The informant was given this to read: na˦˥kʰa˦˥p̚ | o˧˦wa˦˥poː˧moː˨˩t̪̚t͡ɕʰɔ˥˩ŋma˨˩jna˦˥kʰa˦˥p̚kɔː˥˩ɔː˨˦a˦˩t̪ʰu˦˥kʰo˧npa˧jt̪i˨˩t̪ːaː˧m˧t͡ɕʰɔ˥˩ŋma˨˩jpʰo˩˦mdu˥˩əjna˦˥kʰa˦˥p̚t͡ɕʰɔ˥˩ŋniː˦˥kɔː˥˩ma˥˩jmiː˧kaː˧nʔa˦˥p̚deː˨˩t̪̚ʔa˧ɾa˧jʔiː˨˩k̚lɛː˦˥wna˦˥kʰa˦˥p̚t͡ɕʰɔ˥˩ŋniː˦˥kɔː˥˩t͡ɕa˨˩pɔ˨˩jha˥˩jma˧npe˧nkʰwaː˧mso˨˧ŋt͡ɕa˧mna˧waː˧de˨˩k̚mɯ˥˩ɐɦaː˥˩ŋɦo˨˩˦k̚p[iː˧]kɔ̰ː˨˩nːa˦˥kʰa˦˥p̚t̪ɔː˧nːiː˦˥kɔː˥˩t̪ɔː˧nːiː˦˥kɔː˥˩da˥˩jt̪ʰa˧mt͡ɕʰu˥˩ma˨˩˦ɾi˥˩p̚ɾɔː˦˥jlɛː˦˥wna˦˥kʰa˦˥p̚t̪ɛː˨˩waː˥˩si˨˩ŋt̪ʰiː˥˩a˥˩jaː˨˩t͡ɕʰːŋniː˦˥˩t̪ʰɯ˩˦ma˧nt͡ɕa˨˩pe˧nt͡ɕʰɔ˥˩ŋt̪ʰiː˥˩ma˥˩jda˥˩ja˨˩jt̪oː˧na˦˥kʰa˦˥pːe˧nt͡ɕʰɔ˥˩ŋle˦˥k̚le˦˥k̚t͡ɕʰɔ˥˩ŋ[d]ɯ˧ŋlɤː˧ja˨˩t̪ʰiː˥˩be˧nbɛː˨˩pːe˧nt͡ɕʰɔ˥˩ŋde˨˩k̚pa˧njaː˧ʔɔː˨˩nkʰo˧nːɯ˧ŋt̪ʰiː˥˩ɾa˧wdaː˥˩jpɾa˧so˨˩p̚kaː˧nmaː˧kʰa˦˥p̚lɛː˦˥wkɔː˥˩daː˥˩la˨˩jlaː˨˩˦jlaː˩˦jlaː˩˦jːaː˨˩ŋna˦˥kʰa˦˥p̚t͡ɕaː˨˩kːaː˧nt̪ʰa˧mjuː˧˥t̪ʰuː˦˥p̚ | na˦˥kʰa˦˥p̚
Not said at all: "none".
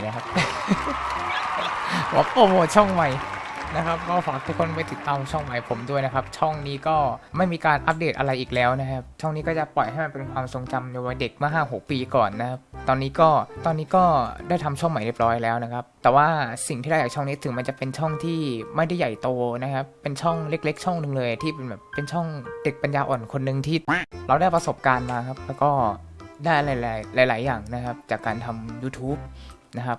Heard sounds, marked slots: iː˧, n

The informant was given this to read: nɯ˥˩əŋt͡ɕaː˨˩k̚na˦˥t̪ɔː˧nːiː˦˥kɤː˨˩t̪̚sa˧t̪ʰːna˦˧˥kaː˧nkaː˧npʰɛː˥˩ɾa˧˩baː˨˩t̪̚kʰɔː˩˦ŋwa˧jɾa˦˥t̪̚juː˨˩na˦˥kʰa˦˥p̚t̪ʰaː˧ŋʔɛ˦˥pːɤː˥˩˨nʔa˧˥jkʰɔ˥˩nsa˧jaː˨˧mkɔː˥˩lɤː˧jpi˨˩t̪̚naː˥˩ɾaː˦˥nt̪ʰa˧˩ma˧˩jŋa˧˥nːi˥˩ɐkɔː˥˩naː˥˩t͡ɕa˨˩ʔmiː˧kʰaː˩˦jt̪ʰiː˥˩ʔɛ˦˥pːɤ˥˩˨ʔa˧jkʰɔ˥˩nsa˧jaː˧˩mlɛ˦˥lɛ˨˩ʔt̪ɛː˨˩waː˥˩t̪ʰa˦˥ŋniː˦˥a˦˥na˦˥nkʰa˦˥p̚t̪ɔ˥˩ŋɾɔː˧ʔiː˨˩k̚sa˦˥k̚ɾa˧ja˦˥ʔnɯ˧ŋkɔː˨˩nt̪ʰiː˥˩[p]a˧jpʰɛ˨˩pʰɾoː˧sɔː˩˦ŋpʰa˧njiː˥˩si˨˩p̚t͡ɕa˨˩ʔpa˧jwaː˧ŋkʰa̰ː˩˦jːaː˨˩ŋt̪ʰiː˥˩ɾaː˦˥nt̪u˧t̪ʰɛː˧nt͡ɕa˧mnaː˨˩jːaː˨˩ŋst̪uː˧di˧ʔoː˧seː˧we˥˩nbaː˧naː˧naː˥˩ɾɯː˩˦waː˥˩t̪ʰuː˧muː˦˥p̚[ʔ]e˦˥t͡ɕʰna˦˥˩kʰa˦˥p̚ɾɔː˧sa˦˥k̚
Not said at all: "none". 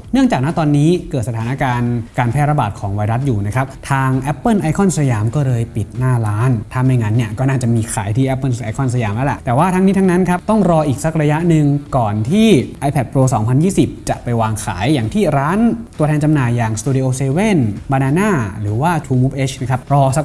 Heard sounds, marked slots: ʔ, ʔ

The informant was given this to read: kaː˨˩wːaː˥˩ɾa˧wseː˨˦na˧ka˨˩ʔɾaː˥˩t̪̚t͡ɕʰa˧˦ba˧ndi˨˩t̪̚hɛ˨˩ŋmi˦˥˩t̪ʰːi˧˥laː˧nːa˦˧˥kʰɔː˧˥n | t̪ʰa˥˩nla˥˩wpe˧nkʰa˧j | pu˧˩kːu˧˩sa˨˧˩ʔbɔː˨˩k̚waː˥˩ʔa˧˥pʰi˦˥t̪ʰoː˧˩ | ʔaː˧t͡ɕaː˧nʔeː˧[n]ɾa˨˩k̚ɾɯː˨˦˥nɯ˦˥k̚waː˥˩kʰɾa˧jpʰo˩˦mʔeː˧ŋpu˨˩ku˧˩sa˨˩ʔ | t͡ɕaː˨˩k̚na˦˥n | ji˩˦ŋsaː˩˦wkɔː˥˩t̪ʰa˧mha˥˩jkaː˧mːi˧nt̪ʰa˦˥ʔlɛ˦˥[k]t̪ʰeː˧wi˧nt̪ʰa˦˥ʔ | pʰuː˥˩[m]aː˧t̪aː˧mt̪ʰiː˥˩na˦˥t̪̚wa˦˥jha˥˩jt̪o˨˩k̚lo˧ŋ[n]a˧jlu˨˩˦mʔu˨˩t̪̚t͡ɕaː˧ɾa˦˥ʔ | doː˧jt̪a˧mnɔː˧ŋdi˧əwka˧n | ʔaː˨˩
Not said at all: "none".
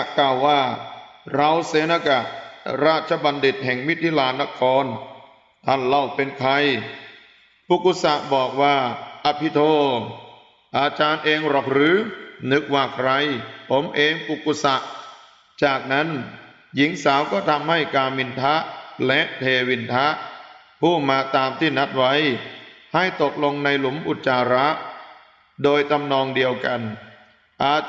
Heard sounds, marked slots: ŋ, ʔ, m, n

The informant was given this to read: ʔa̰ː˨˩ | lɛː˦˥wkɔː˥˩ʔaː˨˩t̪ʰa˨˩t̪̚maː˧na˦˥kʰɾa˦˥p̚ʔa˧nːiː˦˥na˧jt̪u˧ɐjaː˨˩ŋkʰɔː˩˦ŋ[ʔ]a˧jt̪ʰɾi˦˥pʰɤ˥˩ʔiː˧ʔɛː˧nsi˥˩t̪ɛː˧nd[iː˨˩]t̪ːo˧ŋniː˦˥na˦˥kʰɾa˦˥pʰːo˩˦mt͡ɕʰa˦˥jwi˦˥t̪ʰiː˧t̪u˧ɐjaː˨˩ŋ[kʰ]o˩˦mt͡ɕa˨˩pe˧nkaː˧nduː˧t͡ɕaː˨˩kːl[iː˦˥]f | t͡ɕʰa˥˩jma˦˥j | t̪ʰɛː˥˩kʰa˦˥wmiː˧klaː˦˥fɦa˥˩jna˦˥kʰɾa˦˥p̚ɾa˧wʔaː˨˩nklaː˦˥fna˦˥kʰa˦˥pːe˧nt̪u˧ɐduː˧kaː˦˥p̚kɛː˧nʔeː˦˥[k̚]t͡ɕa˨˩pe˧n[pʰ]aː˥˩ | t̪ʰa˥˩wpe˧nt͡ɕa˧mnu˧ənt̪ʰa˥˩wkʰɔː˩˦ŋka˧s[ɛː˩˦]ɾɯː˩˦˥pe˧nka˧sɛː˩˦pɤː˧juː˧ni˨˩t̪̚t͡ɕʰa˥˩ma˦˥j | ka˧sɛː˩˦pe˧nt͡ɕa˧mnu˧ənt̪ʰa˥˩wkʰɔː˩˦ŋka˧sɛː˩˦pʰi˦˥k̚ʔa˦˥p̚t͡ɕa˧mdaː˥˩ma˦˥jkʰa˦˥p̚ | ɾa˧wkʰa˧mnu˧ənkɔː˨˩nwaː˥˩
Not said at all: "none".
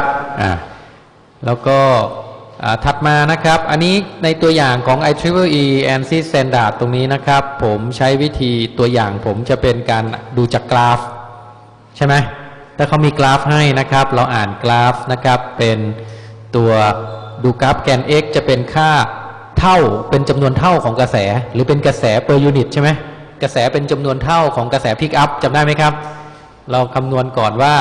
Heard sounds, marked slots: ʔ, aː˨˩, pʰ, aː˦˥, k̚, kʰ, ɛː˩˦

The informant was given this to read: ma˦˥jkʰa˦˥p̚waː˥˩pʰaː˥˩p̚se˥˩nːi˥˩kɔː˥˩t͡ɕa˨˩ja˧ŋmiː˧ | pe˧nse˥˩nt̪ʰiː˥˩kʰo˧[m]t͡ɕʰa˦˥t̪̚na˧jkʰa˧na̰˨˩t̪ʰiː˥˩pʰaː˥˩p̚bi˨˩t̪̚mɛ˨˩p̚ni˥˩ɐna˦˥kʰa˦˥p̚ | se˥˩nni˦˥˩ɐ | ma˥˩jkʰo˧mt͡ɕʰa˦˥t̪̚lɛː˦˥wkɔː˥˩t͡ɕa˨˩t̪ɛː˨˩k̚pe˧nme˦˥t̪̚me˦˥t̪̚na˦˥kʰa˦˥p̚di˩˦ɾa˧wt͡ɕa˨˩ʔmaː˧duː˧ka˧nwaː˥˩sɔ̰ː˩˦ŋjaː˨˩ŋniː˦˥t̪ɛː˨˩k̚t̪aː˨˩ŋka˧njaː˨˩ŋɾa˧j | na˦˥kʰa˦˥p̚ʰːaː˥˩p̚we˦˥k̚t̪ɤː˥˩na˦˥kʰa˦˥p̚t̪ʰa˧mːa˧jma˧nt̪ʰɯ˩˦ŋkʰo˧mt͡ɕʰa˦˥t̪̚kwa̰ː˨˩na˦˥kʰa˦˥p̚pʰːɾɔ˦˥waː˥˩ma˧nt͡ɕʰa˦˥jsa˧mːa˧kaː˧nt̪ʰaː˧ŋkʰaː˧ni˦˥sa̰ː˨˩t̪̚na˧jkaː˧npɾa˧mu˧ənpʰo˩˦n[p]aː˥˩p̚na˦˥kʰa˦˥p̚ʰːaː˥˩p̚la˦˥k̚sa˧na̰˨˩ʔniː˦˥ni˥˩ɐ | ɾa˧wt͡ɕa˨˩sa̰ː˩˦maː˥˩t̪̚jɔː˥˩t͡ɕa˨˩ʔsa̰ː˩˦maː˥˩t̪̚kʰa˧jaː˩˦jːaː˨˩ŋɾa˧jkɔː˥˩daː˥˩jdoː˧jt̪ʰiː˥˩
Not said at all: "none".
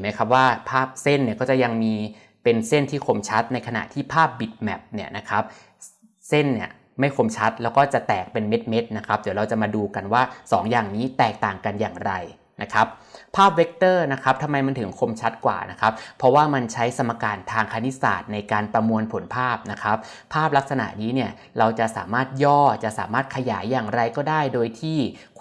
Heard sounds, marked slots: m, pʰ

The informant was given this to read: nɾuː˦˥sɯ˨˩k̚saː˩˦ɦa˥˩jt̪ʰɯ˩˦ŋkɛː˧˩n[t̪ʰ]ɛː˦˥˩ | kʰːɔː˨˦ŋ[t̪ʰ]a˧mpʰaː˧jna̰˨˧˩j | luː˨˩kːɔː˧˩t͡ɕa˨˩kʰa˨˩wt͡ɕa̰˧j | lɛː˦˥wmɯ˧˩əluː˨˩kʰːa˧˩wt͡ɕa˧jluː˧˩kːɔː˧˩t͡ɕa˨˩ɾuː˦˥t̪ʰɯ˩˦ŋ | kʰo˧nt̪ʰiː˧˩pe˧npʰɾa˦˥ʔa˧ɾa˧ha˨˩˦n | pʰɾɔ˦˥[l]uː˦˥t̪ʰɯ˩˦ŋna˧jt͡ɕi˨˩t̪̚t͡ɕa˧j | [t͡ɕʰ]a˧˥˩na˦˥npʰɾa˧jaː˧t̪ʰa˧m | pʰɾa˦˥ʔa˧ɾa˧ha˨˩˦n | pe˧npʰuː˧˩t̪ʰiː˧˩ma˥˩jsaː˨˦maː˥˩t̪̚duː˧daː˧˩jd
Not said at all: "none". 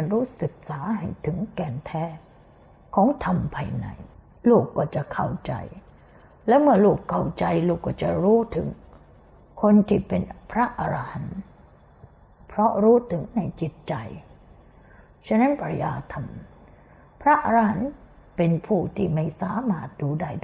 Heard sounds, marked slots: t̪ʰ, t̪ʰ, ɾ, t͡ɕʰ

